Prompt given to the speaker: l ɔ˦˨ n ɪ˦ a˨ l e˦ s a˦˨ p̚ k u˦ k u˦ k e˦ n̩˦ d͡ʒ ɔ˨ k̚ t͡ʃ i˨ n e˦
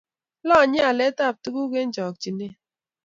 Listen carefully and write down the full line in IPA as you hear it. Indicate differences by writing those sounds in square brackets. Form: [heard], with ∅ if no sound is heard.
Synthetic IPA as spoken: l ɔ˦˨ [ɲ] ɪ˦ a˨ l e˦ [t] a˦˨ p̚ [t] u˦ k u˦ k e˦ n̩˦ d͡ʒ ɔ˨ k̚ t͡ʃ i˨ n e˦